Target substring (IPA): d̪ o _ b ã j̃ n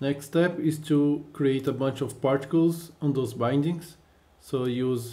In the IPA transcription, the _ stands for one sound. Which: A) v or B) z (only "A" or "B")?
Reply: B